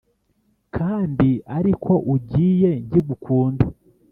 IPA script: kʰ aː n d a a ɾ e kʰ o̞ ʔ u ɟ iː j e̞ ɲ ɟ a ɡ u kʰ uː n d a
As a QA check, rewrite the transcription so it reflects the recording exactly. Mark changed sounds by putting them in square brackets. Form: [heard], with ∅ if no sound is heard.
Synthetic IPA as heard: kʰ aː n d [i] a ɾ [i] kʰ o̞ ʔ u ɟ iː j e̞ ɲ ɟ [i] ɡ u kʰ uː n d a